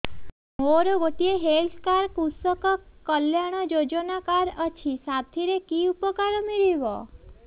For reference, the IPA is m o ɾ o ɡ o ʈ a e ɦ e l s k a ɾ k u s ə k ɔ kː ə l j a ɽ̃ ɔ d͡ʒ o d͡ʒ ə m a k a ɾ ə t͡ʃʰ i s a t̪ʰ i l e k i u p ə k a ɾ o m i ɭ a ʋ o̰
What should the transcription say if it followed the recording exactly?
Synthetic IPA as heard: m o ɾ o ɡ o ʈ i e ɦ e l s k a ɾ k u s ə k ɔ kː ə l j a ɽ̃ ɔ d͡ʒ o d͡ʒ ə n a k a ɾ ə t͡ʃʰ i s a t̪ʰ i ɾ e k i u p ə k a ɾ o m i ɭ i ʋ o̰

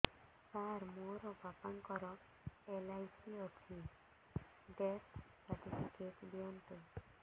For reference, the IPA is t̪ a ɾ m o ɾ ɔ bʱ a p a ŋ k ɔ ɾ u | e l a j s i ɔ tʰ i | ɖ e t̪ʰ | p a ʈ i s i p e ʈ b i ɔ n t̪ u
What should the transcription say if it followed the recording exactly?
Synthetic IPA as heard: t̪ a ɾ m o ɾ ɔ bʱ a p a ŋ k ɔ ɾ ɔ | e l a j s i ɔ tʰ i | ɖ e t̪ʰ | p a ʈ i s i k e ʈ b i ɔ n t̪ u

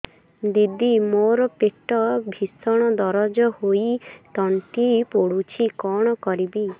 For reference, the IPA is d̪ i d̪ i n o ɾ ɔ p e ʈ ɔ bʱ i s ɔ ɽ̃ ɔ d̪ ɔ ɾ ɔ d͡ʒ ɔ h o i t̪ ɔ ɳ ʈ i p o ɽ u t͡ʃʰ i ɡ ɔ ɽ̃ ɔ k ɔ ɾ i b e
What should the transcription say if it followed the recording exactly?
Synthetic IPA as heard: d̪ i d̪ i m o ɾ ɔ p e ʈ ɔ bʱ i s ɔ ɽ̃ ɔ d̪ ɔ ɾ ɔ d͡ʒ ɔ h o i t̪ ɔ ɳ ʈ i p o ɽ u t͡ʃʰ i k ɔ ɽ̃ ɔ k ɔ ɾ i b i

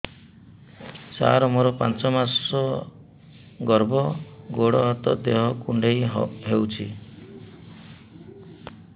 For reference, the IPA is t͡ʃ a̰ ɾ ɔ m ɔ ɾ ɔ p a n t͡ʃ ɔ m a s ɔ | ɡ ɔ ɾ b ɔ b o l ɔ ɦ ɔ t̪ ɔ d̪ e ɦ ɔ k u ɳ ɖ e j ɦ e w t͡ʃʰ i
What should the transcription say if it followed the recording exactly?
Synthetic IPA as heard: t͡ʃ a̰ ɾ ɔ m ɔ ɾ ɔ p a n t͡ʃ ɔ m a s ɔ | ɡ ɔ ɾ b ɔ ɡ o ɽ ɔ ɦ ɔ t̪ ɔ d̪ e ɦ ɔ k u ɳ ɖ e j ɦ e w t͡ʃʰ i

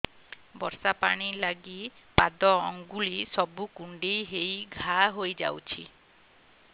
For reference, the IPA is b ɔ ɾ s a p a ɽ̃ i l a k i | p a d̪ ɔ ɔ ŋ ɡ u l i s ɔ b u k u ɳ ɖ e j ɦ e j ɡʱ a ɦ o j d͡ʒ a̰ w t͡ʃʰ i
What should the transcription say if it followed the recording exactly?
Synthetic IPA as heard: b ɔ ɾ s a p a ɽ̃ i l a ɡ i | p a d̪ ɔ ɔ ŋ ɡ u l i s ɔ b u k u ɳ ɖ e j ɦ e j ɡʱ a ɦ o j d͡ʒ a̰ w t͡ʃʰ i

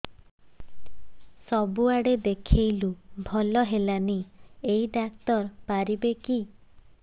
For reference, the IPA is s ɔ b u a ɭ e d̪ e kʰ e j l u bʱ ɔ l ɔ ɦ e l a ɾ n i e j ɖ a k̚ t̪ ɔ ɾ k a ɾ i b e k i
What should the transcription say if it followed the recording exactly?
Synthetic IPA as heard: s ɔ b u a ɽ e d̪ e kʰ e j l u bʱ ɔ l ɔ ɦ e l a n i e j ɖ a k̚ t̪ ɔ ɾ p a ɾ i b e k i

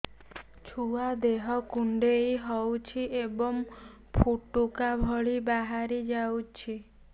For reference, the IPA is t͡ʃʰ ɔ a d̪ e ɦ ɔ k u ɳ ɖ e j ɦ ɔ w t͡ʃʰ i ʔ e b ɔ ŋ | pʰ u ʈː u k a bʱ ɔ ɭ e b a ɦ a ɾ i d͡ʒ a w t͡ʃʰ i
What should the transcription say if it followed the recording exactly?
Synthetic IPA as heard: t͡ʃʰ u a d̪ e ɦ ɔ k u ɳ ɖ e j ɦ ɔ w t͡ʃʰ i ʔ e b ɔ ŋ | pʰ u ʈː u k a bʱ ɔ ɭ i b a ɦ a ɾ i d͡ʒ a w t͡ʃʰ i

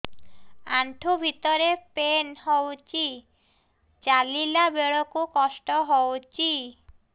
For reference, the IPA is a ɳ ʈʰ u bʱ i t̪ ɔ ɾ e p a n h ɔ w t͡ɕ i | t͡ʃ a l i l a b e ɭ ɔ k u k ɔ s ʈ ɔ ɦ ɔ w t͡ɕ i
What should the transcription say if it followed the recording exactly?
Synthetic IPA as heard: a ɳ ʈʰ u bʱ i t̪ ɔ ɾ e p e n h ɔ w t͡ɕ i | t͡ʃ a l i l a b e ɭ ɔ k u k ɔ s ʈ ɔ ɦ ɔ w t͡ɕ i

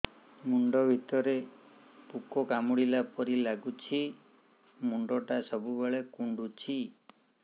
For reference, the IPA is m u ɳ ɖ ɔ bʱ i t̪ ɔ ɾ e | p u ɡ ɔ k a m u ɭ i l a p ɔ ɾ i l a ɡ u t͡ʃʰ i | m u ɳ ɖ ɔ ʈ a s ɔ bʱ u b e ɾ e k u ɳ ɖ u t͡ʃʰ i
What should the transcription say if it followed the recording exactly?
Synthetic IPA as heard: m u ɳ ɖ ɔ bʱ i t̪ ɔ ɾ e | p u k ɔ k a m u ɽ i l a p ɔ ɾ i l a ɡ u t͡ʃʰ i | m u ɳ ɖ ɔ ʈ a s ɔ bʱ u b e ɭ e k u ɳ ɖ u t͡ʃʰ i

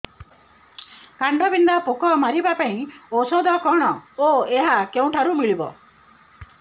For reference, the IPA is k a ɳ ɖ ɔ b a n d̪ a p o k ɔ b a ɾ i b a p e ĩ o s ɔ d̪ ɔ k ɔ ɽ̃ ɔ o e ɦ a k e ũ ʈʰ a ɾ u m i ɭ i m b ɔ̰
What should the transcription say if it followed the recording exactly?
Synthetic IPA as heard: k a ɳ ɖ ɔ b i n d̪ a p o k ɔ m a ɾ i b a p a ĩ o s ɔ d̪ ɔ k ɔ ɽ̃ ɔ o e ɦ a k e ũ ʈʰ a ɾ u m i ɭ i b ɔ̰

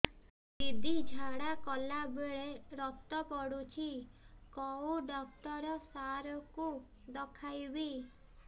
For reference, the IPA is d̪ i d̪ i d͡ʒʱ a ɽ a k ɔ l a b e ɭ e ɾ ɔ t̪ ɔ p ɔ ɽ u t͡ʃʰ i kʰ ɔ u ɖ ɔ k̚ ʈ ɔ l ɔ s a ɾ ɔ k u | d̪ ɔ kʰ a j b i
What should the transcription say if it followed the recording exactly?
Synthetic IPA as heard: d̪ i d̪ i d͡ʒʱ a ɽ a k ɔ l a b e ɭ e ɾ ɔ t̪ ɔ p ɔ ɽ u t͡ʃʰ i k ɔ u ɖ ɔ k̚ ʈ ɔ ɾ ɔ s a ɾ ɔ k u | d̪ ɔ kʰ a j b i

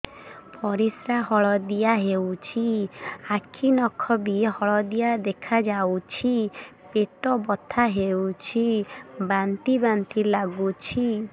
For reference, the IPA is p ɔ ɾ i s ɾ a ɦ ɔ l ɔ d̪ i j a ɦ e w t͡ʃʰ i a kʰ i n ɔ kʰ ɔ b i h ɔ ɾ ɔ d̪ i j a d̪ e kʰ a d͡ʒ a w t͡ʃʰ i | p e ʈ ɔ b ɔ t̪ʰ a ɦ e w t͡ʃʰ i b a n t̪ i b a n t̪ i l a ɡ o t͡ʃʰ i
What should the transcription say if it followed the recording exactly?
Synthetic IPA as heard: p ɔ ɾ i s ɾ a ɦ ɔ ɭ ɔ d̪ i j a ɦ e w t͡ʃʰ i a kʰ i n ɔ kʰ ɔ b i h ɔ ɭ ɔ d̪ i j a d̪ e kʰ a d͡ʒ a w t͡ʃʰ i | p e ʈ ɔ b ɔ t̪ʰ a ɦ e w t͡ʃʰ i b a n t̪ i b a n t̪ i l a ɡ u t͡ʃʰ i

